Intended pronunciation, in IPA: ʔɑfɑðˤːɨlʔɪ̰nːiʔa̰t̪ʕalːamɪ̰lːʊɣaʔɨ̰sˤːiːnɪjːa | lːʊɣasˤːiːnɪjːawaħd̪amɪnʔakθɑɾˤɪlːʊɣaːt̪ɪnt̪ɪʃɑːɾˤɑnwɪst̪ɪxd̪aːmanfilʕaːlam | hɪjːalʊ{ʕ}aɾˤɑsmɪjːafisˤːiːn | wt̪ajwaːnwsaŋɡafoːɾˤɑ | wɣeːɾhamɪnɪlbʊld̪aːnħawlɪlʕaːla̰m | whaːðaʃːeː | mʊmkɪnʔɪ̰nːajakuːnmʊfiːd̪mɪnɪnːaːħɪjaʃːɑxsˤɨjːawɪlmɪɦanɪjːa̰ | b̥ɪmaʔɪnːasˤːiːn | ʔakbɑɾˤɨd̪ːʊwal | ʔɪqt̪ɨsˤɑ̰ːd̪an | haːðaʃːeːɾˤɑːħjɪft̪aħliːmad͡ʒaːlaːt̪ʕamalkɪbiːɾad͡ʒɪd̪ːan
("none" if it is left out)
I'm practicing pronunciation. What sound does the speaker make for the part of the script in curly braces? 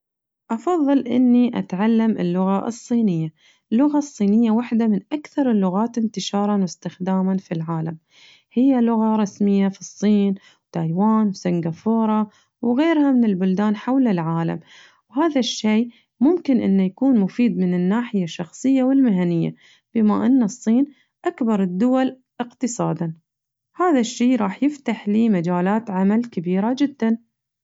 ɣ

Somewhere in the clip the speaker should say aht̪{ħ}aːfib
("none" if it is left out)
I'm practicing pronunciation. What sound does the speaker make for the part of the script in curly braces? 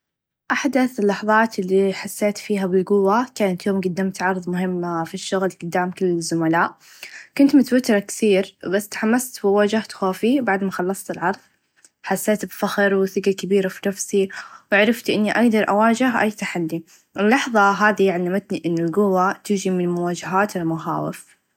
x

